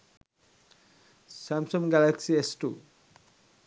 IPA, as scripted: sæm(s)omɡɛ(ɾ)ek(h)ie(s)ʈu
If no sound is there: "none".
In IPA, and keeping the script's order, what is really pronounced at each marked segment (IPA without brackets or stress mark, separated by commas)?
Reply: s, l, s, s